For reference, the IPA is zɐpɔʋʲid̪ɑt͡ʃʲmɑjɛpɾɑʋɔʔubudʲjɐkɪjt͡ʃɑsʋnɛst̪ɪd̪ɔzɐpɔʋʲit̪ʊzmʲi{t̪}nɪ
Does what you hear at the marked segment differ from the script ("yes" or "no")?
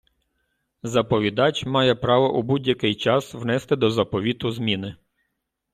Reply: yes